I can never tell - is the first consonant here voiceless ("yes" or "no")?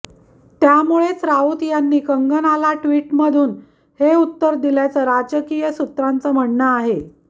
yes